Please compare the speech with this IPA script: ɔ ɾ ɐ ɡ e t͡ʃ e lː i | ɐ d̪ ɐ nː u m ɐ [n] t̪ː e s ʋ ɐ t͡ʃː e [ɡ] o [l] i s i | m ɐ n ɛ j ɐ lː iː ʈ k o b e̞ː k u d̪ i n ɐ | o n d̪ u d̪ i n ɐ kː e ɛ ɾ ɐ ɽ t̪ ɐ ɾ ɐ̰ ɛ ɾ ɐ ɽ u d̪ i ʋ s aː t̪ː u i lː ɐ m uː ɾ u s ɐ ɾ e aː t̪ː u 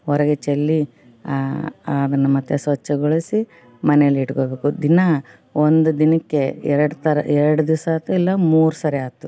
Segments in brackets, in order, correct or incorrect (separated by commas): incorrect, correct, incorrect